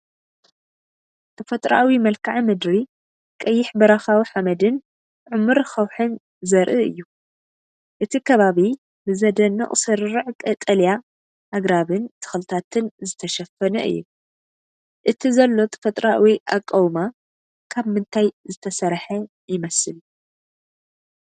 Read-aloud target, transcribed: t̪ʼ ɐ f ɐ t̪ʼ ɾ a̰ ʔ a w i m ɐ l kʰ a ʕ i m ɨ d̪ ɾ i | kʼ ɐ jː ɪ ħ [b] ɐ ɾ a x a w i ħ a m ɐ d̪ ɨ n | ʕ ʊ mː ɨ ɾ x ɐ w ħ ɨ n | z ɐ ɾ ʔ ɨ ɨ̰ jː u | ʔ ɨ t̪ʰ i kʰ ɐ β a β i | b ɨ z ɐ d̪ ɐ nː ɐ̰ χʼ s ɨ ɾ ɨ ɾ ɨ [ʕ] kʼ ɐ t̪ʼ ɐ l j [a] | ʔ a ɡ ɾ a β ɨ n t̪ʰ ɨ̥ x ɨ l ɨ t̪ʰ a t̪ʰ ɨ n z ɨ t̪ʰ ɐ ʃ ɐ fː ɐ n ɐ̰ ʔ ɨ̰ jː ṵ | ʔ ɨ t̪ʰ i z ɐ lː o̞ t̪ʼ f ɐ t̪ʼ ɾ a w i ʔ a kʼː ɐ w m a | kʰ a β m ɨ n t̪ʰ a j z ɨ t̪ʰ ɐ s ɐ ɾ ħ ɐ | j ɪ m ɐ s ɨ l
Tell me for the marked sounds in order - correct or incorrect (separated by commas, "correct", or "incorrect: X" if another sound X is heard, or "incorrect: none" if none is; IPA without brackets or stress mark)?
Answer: correct, correct, correct